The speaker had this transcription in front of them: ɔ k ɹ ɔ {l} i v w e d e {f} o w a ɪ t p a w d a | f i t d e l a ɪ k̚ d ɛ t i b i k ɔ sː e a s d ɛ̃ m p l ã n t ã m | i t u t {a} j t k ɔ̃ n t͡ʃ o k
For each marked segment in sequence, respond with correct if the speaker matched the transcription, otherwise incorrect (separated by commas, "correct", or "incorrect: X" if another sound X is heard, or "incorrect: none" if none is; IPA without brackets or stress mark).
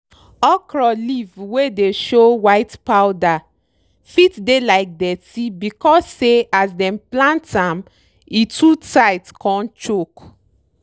correct, incorrect: ʃ, correct